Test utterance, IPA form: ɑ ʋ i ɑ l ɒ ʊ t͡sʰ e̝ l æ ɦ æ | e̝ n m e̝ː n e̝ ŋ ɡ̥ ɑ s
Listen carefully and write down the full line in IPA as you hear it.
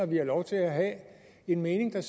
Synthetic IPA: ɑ ʋ i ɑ l ɒ ʊ t͡sʰ e̝ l æ ɦ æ | e̝ n m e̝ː n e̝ ŋ d̥ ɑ s